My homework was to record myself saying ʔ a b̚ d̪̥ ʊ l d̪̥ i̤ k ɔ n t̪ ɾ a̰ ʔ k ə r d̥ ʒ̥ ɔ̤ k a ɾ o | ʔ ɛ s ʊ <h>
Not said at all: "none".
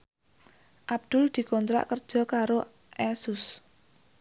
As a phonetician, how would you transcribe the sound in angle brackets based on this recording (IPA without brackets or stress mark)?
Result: s